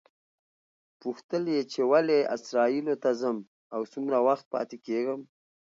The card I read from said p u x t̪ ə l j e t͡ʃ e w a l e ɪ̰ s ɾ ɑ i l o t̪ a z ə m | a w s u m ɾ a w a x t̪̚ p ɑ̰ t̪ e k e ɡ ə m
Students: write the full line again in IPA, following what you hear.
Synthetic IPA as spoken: p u x t̪ ə l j e t͡ʃ e w a l e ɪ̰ s ɾ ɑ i l o t̪ a z ə m | a w s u m ɾ a w a x t̪̚ p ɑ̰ t̪ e k e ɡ ə m